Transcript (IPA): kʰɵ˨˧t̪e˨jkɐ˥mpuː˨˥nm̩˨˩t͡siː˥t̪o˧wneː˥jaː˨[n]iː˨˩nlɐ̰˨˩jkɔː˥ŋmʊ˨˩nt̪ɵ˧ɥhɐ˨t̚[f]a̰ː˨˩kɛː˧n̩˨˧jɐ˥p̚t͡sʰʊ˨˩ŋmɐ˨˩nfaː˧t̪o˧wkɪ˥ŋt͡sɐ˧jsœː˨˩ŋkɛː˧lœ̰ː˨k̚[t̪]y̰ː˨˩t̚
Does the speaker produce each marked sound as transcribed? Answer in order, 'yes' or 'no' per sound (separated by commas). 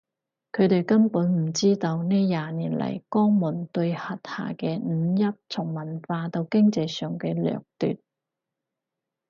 yes, no, yes